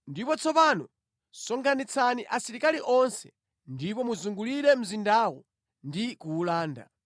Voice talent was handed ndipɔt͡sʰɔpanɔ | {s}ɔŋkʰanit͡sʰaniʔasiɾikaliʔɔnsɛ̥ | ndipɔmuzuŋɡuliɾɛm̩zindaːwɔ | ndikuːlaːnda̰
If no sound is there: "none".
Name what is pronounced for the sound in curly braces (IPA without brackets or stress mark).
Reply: s